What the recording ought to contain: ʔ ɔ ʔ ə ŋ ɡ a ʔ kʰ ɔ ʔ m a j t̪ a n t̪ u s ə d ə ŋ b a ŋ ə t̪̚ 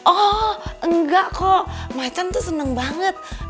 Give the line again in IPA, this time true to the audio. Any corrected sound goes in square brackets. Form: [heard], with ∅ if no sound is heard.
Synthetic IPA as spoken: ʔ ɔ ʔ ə ŋ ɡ a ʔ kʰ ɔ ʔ m a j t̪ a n t̪ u s ə [n] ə ŋ b a ŋ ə t̪̚